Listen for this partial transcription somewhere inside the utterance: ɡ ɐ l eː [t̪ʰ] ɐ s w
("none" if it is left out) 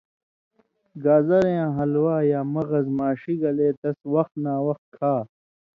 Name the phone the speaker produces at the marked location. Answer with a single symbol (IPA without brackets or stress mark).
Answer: t̪